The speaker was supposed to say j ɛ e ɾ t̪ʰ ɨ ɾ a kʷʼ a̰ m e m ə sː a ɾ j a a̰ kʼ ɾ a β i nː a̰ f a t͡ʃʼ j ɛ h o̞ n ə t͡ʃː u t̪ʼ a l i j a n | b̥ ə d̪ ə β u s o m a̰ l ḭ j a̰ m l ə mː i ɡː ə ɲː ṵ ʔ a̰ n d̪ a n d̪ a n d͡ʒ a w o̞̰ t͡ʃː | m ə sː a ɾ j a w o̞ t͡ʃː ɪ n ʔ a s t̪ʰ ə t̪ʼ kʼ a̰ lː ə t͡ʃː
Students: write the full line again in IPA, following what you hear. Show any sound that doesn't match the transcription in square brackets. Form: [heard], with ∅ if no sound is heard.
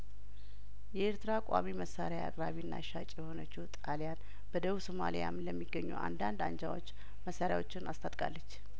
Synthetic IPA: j ɛ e ɾ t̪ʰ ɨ ɾ a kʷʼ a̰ m [i] m ə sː a ɾ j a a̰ kʼ ɾ a β i nː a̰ [ʃ] a t͡ʃʼ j ɛ h o̞ n ə t͡ʃː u t̪ʼ a l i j a n | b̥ ə d̪ ə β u s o m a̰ l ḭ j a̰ m l ə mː i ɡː ə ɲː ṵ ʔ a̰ n d̪ a n d̪ a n d͡ʒ a w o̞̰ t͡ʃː | m ə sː a ɾ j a w o̞ t͡ʃː ɪ n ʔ a s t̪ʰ [a] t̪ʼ kʼ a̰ lː ə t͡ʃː